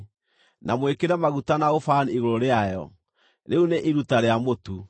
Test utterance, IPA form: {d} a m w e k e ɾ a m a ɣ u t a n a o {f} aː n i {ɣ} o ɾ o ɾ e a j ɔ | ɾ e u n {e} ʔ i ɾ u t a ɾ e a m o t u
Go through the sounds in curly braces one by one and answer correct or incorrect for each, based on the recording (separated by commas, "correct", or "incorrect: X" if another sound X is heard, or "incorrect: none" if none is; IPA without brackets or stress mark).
incorrect: n, correct, correct, correct